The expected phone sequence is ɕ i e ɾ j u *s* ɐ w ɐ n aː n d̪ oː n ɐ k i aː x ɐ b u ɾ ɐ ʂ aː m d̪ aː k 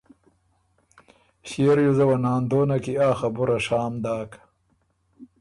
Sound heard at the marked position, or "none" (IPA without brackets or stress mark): z